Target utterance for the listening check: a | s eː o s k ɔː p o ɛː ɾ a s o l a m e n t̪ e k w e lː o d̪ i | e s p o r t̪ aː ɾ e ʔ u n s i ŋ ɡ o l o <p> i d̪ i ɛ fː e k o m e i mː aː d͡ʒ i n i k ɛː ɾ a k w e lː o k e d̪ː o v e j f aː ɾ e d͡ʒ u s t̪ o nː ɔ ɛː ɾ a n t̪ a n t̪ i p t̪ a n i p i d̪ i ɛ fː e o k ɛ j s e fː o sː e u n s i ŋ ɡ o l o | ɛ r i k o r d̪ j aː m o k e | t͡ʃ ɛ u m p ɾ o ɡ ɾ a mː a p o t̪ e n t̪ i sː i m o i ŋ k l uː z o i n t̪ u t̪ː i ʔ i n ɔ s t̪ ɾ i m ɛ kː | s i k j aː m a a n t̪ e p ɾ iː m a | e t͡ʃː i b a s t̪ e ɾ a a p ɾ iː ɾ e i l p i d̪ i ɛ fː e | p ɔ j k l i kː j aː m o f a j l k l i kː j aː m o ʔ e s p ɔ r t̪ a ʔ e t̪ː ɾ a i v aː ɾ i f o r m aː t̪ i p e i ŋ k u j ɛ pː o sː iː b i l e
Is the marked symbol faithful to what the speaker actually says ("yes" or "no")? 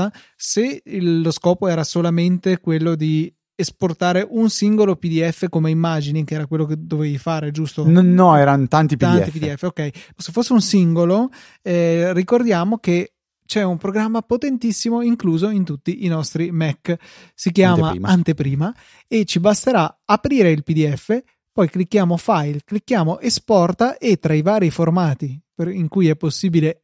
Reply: yes